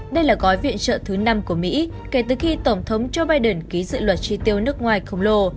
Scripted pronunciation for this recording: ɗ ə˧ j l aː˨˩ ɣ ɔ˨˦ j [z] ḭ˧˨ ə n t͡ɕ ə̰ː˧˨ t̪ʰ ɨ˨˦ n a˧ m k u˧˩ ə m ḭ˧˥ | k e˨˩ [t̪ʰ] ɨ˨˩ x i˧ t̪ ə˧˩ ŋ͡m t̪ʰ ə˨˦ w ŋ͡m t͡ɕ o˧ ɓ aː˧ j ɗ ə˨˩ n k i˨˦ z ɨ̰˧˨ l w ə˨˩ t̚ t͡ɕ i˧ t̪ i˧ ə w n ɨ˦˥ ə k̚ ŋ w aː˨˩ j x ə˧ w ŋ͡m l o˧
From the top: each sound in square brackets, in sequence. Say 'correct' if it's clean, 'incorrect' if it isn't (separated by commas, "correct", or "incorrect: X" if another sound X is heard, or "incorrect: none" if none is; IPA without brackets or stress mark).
incorrect: v, incorrect: t̪